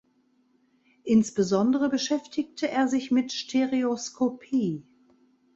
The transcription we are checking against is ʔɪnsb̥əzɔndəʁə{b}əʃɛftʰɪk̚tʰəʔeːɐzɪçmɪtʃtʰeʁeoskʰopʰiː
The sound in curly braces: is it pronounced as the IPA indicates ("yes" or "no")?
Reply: yes